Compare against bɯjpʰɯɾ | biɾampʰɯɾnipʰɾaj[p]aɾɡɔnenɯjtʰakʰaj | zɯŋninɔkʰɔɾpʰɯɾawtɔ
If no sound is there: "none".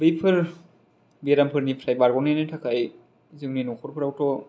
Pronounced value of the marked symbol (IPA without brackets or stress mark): b